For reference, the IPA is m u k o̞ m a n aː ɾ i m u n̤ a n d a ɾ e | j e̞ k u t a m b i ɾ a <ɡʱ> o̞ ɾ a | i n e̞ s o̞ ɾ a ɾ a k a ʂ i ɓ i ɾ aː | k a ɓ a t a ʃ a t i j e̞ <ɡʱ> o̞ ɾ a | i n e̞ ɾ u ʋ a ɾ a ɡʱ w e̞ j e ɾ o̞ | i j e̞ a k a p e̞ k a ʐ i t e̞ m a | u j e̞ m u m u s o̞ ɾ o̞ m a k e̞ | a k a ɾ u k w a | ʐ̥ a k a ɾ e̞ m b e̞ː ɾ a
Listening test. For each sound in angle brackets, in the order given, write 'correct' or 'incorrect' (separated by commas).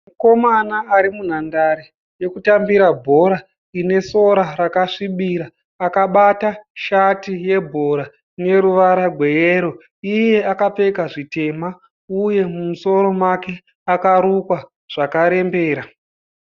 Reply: incorrect, incorrect